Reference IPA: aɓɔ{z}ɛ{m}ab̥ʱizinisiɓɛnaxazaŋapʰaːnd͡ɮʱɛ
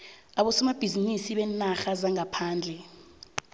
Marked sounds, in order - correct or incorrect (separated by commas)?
incorrect, correct